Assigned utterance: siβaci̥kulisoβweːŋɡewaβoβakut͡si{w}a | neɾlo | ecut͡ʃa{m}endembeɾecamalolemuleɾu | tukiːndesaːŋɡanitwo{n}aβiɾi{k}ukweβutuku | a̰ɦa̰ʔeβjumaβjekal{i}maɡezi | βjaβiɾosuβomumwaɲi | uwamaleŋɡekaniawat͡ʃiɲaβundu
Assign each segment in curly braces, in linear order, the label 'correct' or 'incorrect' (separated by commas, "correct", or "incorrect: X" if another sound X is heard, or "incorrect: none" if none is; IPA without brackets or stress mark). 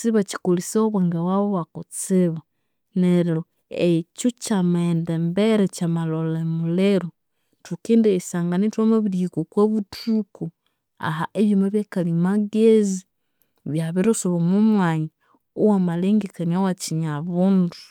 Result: incorrect: β, correct, incorrect: m, correct, correct